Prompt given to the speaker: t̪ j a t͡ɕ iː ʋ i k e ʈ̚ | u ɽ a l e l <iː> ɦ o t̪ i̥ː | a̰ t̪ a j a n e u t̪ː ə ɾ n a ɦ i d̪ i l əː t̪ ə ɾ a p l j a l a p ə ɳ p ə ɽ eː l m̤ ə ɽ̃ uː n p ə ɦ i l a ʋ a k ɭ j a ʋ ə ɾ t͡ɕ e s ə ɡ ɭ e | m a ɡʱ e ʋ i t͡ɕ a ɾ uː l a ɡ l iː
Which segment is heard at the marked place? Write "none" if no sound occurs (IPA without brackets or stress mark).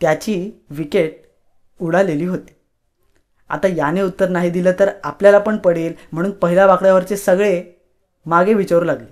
iː